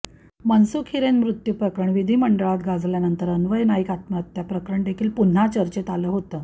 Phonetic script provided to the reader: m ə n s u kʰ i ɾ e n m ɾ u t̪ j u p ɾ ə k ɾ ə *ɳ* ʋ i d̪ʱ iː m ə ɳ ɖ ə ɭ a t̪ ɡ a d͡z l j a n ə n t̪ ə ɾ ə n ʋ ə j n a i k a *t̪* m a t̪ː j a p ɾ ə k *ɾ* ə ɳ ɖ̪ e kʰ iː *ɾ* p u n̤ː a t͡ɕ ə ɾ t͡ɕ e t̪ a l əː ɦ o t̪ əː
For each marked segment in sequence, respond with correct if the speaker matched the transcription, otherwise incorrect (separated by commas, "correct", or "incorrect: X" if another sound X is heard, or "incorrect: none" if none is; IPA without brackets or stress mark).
correct, correct, correct, incorrect: l